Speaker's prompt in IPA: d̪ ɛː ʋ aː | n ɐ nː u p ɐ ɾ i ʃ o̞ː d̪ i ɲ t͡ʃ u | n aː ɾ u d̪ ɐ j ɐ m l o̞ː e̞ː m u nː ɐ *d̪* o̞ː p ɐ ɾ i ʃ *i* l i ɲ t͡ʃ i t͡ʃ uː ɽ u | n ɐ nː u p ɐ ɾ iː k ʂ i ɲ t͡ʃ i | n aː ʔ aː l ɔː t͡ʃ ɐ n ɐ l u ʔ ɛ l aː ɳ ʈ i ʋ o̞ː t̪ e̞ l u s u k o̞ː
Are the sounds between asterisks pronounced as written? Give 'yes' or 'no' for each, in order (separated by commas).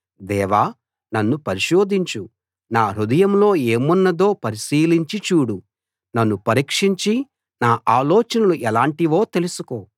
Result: yes, no